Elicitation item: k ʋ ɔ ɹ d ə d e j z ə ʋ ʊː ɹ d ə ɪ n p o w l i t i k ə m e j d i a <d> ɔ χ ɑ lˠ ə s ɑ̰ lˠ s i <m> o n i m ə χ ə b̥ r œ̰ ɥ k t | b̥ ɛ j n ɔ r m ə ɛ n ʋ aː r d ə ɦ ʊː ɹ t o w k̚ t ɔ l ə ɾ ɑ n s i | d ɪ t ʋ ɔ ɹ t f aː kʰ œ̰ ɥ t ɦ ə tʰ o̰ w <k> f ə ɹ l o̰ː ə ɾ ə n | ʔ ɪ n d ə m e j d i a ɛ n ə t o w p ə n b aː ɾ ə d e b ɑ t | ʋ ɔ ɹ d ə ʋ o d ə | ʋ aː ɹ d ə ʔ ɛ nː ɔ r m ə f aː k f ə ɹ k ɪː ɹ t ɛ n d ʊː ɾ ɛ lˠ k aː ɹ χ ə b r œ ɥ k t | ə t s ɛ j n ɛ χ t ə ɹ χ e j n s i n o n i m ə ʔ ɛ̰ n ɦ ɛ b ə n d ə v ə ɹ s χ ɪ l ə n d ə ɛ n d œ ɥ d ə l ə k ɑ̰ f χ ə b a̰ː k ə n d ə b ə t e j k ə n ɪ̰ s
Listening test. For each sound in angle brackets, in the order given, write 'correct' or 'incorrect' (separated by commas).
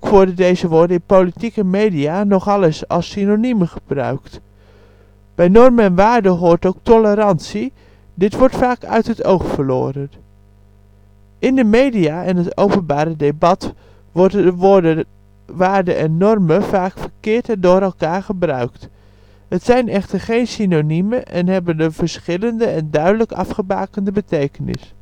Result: incorrect, incorrect, incorrect